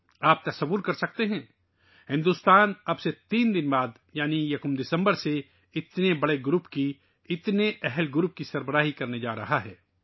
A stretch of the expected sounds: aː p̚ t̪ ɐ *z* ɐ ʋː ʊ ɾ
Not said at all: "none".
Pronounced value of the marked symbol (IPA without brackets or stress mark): s